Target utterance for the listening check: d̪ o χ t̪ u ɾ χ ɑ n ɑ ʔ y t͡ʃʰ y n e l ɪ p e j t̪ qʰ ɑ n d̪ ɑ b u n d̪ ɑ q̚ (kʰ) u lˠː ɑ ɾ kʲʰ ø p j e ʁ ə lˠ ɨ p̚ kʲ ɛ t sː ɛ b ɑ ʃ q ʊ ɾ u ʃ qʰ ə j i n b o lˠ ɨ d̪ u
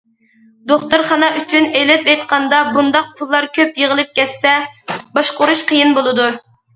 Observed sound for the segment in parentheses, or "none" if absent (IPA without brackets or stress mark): pʰ